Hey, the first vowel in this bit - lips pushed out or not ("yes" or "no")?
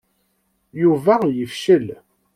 yes